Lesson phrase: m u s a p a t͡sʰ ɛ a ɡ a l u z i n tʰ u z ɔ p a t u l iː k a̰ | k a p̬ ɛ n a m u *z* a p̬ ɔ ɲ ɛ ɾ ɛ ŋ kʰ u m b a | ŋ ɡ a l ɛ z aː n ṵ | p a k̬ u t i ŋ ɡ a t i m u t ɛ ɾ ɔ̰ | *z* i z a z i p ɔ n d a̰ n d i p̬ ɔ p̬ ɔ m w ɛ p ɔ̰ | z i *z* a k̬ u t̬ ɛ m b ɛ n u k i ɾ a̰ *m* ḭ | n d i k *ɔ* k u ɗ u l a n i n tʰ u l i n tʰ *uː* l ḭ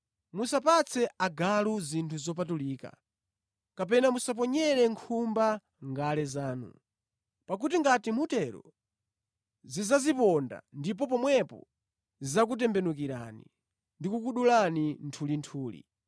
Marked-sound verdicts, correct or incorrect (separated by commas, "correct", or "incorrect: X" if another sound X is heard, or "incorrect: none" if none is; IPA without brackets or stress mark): incorrect: s, correct, correct, incorrect: n, incorrect: u, correct